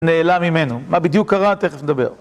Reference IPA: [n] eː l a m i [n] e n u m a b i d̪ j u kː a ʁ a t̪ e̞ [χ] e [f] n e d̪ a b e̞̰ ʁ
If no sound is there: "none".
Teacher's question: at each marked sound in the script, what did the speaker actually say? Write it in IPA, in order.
n, m, χ, f

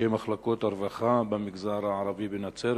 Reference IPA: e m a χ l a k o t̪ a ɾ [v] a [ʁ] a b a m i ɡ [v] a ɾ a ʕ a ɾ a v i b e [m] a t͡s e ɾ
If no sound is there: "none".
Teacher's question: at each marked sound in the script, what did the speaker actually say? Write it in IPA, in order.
v, χ, z, n

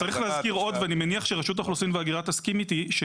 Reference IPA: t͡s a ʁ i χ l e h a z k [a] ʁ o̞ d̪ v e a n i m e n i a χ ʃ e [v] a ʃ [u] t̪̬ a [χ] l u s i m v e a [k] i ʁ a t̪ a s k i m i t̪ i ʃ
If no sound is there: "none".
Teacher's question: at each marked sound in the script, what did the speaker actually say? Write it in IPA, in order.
i, ʁ, u, χ, ɡ

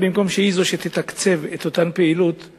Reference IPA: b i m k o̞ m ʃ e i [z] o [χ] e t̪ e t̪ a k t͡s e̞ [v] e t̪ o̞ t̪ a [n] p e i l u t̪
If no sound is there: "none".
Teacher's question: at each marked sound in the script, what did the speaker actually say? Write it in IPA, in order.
z, ʃ, v, n

